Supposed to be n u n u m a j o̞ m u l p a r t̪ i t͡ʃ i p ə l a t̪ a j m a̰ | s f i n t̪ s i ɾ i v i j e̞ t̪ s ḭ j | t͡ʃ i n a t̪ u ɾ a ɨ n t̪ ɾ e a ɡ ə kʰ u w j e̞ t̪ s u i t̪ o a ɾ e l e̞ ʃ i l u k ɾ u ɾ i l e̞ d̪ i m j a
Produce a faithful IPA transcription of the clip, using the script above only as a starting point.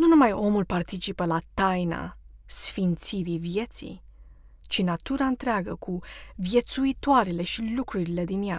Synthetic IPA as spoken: n u n u m a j o̞ m u l p a r t̪ i t͡ʃ i p ə l a t̪ a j n a̰ | s f i n t̪ s i ɾ i v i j e̞ t̪ s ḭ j | t͡ʃ i n a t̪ u ɾ a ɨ n t̪ ɾ e a ɡ ə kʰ u v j e̞ t̪ s u i t̪ o a ɾ e l e̞ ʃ i l u k ɾ u ɾ i l e̞ d̪ i n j a